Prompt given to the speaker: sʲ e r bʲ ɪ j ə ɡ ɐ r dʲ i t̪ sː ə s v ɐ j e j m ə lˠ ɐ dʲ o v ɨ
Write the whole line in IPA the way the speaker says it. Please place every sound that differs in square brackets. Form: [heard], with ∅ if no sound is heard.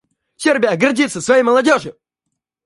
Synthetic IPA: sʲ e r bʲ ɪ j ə ɡ ɐ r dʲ i t̪ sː ə s v ɐ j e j m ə lˠ ɐ dʲ o [ʐ] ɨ